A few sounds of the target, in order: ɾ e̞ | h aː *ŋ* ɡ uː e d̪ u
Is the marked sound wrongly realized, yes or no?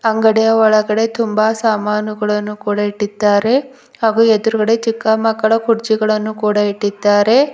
yes